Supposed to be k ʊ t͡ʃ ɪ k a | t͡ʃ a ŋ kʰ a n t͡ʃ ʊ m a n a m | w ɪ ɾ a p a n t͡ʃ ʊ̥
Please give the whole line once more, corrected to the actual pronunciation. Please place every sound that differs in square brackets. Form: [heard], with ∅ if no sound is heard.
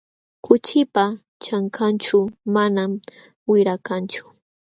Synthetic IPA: k ʊ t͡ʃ ɪ [p] a | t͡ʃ a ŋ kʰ a n t͡ʃ ʊ m a n a m | w ɪ ɾ a [k] a n t͡ʃ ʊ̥